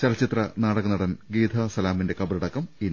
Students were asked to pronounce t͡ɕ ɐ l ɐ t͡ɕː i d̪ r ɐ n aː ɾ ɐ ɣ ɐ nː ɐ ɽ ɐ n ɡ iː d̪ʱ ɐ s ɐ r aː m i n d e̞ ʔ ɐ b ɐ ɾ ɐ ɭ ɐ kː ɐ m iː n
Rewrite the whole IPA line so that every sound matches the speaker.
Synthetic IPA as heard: t͡ɕ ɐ l ɐ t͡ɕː i t̪ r ɐ n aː ɽ ɐ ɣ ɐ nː ɐ ɽ ɐ n ɡ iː d̪ʱ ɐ s ɐ l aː m i n d e̞ k ɐ b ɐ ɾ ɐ ɽ ɐ kː ɐ m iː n